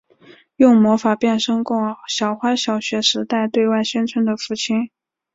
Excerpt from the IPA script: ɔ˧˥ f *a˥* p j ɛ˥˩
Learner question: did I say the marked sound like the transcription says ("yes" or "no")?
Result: no